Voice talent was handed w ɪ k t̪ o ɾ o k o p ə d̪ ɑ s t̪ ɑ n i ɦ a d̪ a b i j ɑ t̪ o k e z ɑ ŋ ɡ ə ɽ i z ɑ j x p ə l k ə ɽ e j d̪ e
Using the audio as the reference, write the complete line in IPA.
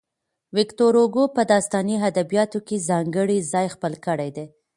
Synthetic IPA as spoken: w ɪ k t̪ o ɾ o ɡ o p ə d̪ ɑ s t̪ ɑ n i ɦ a d̪ a b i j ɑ t̪ o k e z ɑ ŋ ɡ ə ɽ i z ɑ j x p ə l k ə ɽ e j d̪ e